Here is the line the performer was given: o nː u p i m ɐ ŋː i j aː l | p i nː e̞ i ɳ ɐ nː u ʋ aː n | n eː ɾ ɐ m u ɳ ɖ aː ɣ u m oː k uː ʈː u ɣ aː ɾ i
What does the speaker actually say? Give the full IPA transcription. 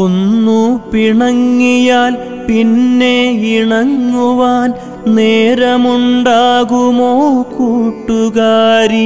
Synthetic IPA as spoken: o nː u p i ɳ ɐ ŋː i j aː l | p i nː e̞ i ɳ ɐ ŋː u ʋ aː n | n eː ɾ ɐ m u ɳ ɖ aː ɣ u m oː k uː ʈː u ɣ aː ɾ i